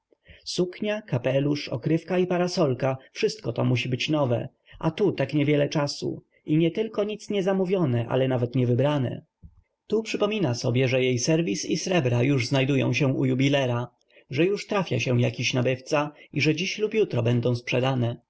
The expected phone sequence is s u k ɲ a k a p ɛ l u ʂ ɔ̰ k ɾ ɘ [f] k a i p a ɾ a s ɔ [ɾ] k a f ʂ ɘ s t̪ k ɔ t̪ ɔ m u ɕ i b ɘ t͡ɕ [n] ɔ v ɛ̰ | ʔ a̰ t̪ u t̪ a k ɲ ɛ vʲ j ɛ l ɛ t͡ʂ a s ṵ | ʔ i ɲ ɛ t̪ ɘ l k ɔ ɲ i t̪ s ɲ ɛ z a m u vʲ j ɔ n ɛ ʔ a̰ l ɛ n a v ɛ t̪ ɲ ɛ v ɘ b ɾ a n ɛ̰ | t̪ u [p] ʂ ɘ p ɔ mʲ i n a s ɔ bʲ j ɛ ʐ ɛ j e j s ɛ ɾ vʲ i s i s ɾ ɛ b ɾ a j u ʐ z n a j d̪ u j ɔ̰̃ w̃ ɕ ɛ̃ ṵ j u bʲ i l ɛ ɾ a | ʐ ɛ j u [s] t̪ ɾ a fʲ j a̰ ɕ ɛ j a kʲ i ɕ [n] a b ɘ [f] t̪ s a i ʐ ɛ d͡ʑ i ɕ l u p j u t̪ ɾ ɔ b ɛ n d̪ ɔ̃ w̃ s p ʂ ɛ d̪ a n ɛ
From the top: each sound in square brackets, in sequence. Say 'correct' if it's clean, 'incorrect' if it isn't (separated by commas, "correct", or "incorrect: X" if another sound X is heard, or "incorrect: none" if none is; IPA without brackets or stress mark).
correct, incorrect: l, correct, correct, incorrect: ʂ, correct, correct